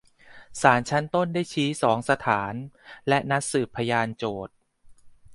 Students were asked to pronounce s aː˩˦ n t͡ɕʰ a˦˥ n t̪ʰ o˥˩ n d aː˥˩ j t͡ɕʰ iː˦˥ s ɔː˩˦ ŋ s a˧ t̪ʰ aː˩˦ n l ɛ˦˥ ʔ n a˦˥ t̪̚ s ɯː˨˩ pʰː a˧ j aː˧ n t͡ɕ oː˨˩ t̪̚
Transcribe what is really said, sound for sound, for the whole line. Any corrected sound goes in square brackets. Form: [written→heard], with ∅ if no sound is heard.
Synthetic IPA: s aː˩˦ n t͡ɕʰ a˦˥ n [t̪ʰ→t̪] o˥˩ n d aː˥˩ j t͡ɕʰ iː˦˥ s ɔː˩˦ ŋ s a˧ t̪ʰ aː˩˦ n l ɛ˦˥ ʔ n a˦˥ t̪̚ s ɯː˨˩ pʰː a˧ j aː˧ n t͡ɕ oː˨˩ t̪̚